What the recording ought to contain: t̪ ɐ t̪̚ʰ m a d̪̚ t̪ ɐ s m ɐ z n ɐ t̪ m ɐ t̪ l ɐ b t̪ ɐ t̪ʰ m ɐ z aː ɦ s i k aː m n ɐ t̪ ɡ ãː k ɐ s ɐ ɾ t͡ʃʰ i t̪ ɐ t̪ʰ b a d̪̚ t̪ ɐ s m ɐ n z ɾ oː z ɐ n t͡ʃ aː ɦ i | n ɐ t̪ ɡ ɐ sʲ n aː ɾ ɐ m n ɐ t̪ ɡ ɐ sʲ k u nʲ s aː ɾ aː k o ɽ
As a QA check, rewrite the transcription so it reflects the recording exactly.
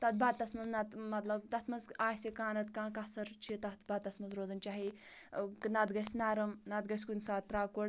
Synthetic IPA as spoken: t̪ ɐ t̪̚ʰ b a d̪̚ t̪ ɐ s m ɐ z n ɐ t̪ m ɐ t̪ l ɐ b t̪ ɐ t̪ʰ m ɐ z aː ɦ s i k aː n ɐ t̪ k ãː k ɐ s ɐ ɾ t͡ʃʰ i t̪ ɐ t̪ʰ b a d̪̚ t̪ ɐ s m ɐ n z ɾ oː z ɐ n t͡ʃ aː ɦ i | n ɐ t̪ ɡ ɐ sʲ n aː ɾ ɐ m n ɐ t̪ ɡ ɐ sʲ k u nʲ s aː ɾ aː k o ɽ